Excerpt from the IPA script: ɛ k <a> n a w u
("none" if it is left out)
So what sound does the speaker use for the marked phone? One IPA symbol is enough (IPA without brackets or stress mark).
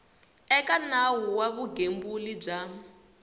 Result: a